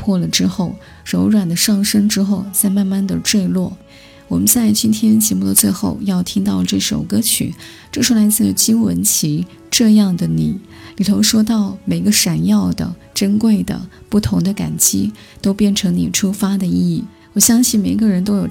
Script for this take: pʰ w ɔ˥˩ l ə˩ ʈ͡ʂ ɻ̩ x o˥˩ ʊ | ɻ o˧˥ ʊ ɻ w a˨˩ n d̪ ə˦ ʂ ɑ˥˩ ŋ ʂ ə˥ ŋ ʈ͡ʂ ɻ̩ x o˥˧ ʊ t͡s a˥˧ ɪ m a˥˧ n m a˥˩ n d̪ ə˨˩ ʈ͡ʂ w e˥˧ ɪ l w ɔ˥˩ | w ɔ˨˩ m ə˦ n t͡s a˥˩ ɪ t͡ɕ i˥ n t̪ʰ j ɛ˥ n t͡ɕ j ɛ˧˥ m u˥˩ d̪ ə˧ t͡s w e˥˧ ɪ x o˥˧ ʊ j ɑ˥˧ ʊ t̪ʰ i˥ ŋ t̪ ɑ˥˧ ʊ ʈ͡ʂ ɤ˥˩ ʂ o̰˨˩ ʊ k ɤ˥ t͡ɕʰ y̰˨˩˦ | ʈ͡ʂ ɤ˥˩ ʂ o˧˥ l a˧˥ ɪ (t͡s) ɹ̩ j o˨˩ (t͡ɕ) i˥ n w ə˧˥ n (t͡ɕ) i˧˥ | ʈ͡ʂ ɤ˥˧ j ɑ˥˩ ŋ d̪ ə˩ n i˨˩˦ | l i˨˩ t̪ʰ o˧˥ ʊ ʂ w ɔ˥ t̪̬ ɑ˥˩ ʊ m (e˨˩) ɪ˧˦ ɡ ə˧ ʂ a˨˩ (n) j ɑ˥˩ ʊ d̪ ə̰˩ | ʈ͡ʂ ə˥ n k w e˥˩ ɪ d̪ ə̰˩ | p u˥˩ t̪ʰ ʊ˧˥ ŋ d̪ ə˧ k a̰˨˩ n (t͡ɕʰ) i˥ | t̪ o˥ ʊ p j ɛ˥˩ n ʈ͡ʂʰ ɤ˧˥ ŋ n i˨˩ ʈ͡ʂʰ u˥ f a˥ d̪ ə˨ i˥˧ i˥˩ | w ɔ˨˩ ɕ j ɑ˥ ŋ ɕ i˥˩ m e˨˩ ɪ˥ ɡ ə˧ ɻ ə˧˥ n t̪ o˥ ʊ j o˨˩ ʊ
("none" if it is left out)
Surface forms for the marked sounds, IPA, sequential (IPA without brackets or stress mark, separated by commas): t͡s, t͡ɕ, t͡ɕʰ, e˨˩, n, t͡ɕ